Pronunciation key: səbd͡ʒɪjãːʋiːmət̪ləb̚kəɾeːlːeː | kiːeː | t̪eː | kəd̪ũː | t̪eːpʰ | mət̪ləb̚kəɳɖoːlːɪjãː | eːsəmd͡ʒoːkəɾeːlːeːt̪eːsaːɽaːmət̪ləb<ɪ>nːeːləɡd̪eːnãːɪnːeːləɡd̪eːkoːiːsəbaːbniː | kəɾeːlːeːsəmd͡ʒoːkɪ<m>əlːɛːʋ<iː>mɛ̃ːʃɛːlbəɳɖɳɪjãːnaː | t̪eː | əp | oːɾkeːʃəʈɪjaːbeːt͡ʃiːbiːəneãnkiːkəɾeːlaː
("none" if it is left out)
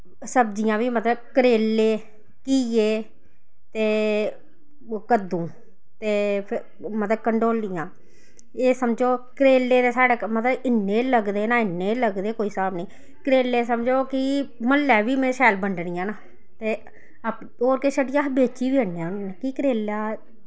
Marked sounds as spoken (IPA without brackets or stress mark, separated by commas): ɪ, m, iː